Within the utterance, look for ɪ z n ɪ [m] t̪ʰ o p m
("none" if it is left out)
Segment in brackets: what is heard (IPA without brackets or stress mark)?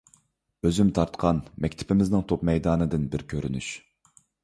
ŋ